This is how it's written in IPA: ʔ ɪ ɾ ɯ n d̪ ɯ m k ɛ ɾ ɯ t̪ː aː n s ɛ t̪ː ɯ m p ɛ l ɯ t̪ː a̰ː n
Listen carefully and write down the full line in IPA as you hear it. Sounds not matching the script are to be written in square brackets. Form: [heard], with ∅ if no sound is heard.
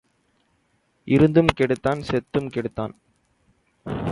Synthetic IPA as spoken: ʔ ɪ ɾ ɯ n d̪ ɯ m k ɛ [ɽ] ɯ t̪ː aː n s ɛ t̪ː ɯ m [k] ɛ [ɽ] ɯ t̪ː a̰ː n